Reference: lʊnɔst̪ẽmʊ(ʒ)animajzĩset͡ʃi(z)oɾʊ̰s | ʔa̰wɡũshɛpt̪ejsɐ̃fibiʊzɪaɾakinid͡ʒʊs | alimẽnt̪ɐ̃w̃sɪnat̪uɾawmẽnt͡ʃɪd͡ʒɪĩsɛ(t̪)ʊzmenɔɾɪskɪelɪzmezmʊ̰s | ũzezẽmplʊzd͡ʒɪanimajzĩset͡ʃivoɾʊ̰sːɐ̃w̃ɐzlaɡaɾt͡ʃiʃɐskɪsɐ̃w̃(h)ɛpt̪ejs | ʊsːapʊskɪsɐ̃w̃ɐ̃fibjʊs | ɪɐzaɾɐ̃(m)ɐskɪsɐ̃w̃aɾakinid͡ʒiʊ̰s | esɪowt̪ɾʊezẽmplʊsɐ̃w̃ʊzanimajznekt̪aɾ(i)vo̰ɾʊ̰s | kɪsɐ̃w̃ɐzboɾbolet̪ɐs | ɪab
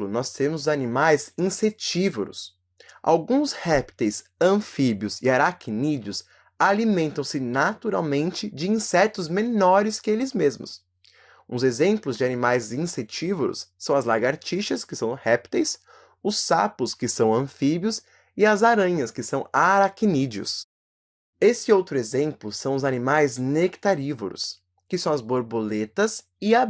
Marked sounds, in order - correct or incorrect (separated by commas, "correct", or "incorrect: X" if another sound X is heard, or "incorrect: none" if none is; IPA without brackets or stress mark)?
incorrect: z, incorrect: v, correct, correct, incorrect: ɲ, correct